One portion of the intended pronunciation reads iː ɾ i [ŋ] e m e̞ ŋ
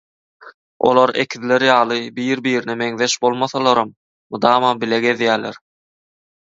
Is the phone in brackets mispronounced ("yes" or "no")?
yes